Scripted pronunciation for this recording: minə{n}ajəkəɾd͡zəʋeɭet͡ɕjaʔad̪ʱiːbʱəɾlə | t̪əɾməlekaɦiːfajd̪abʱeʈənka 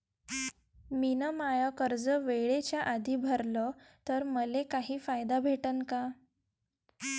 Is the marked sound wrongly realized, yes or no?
yes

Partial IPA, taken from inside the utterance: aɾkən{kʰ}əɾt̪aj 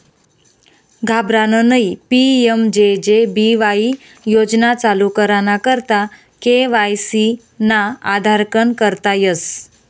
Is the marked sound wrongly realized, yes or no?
yes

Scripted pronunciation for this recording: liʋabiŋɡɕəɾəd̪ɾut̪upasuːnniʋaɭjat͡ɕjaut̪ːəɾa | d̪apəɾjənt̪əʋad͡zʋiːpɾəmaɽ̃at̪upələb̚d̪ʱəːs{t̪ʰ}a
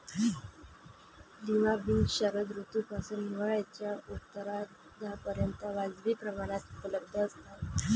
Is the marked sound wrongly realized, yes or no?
yes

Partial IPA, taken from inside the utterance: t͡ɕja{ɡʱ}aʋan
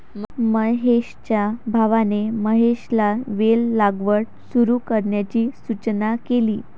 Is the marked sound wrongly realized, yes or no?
yes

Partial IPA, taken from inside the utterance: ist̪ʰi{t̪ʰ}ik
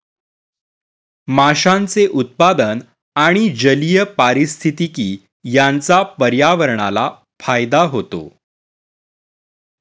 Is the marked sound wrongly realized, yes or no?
yes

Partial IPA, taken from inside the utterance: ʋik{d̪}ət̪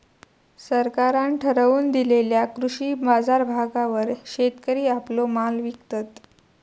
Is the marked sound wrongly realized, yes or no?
yes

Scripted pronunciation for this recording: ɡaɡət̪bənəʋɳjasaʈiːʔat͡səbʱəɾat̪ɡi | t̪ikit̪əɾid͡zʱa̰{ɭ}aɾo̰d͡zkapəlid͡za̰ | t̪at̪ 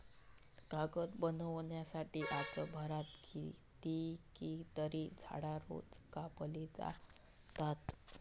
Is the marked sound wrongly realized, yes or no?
yes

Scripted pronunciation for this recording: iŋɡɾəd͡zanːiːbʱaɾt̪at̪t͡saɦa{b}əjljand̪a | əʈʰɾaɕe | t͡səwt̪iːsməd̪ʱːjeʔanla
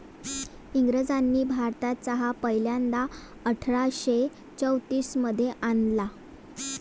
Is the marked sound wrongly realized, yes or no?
yes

